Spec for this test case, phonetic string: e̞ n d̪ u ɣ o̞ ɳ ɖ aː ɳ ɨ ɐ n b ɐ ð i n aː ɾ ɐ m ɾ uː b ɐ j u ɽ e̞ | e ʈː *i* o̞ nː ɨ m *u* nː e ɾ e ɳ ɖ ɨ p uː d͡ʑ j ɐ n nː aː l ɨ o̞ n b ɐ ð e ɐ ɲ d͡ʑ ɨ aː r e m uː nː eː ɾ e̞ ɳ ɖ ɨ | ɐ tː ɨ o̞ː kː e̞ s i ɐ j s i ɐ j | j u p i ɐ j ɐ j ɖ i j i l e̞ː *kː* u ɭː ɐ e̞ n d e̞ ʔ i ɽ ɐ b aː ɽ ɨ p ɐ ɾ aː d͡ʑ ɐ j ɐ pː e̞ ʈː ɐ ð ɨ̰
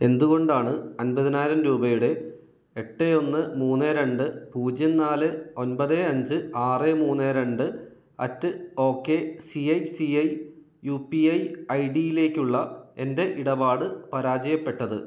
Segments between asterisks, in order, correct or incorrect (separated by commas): incorrect, incorrect, correct